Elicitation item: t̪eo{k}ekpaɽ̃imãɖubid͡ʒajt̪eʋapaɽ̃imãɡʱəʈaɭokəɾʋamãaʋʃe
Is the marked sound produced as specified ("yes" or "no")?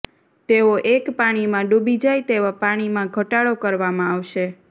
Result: no